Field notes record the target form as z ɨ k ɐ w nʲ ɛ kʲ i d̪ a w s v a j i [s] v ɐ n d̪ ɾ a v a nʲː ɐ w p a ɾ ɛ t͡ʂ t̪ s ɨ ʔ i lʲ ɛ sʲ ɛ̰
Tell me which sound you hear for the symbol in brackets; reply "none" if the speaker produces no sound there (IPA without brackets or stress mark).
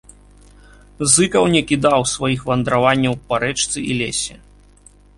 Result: x